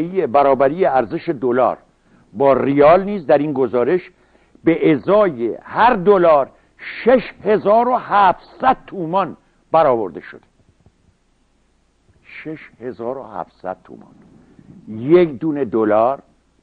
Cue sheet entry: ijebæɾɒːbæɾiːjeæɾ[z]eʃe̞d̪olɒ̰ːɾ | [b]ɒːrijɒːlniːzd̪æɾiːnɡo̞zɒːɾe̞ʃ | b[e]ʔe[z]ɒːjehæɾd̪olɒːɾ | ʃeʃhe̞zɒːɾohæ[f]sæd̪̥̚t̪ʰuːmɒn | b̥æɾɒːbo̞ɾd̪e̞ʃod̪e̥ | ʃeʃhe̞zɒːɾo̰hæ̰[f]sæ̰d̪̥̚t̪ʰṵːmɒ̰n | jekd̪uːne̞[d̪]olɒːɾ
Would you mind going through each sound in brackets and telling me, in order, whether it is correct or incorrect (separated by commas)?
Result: correct, correct, correct, correct, correct, correct, correct